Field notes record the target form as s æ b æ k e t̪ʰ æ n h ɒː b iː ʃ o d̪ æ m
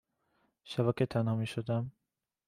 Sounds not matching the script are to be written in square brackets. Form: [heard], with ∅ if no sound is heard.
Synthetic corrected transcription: [ʃ] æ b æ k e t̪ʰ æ n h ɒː [m] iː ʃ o d̪ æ m